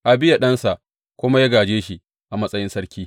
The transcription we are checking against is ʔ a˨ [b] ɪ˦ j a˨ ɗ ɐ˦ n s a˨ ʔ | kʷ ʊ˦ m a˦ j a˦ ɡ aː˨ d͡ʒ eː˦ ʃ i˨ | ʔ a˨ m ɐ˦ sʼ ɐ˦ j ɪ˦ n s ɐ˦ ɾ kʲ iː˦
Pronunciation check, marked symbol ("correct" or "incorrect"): correct